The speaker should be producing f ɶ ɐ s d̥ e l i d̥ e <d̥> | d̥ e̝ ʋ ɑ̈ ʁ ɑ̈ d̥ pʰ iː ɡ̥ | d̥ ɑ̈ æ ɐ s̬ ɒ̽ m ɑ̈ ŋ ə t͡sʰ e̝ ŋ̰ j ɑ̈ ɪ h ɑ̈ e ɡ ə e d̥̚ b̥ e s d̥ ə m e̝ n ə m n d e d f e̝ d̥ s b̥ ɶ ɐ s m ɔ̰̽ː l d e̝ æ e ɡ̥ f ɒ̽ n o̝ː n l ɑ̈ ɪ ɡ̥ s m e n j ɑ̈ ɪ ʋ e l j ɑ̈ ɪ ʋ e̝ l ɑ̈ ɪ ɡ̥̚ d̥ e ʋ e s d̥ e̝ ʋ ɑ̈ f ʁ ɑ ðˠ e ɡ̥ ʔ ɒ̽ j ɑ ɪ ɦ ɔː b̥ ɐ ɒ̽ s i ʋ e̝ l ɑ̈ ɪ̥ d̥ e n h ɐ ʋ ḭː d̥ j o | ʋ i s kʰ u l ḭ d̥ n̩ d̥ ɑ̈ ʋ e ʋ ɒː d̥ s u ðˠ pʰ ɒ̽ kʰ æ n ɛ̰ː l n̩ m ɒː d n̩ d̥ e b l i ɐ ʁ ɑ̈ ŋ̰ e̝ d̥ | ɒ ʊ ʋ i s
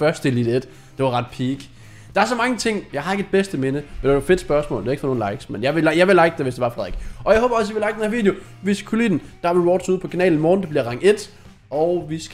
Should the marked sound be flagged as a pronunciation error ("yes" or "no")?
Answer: no